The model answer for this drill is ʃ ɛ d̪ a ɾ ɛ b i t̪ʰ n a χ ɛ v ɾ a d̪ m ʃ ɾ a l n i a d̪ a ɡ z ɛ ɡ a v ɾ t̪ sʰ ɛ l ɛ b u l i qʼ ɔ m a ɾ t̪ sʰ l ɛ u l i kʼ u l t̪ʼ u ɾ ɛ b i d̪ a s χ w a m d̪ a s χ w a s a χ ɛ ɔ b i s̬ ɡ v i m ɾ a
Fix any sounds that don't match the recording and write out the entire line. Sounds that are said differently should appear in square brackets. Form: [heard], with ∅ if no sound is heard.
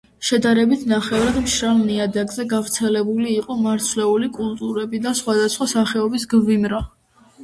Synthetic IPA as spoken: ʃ ɛ d̪ a ɾ ɛ b i t̪ʰ n a χ ɛ v ɾ a d̪ m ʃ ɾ a l n i a d̪ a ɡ z ɛ ɡ a v ɾ t̪ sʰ ɛ l ɛ b u l [iː] qʼ ɔ m a ɾ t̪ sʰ l ɛ u l i kʼ u l t̪ʼ u ɾ ɛ b i d̪ a s χ w a [∅] d̪ a s χ w a s a χ ɛ ɔ b i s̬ ɡ v i m ɾ a